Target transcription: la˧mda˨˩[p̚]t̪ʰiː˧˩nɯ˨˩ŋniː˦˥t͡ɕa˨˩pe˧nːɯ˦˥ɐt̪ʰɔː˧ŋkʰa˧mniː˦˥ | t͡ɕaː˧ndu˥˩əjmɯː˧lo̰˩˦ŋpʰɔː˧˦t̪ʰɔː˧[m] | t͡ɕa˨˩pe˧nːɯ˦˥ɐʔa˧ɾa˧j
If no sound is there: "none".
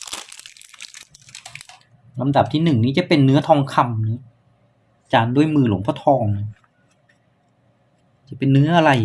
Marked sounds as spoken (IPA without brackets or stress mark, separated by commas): p̚, ŋ